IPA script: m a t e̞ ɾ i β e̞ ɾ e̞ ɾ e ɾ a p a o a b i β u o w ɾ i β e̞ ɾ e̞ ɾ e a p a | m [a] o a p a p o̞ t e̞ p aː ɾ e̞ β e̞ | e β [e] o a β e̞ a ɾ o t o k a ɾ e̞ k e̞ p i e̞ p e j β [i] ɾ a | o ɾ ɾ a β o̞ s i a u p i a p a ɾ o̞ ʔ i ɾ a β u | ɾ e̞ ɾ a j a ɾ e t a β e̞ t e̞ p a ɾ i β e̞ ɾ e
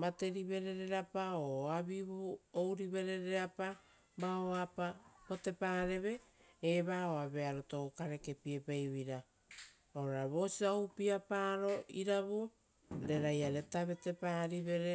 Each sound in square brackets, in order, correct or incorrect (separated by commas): correct, incorrect, correct